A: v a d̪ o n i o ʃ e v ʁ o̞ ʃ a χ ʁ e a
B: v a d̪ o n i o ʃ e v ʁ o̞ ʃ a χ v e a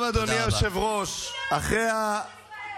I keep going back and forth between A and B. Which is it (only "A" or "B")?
A